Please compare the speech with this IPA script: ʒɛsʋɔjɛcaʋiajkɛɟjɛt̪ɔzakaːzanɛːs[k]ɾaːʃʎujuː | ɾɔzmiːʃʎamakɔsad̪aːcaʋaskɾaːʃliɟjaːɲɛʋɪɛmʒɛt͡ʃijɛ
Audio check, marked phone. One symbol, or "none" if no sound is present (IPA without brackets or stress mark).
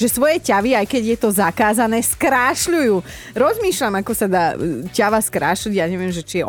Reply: k